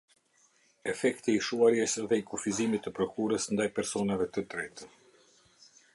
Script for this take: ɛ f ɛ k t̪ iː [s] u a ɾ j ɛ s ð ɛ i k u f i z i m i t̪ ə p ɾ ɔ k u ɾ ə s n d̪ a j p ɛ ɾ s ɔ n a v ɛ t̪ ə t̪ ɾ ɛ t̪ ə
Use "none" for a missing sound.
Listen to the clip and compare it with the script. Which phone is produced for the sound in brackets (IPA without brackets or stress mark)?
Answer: ʃ